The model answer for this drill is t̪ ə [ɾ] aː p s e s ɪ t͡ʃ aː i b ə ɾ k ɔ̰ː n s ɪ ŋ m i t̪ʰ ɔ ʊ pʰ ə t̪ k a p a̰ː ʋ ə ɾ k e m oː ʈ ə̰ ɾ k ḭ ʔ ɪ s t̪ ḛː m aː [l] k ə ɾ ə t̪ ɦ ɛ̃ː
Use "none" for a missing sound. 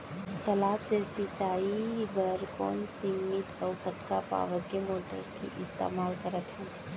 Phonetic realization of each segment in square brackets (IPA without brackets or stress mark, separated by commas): l, l